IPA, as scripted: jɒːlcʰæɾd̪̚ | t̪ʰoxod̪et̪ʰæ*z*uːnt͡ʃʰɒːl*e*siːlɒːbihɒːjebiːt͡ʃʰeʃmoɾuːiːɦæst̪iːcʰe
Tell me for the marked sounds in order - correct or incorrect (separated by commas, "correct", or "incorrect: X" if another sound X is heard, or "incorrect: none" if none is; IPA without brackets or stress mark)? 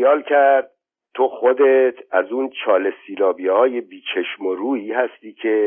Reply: correct, correct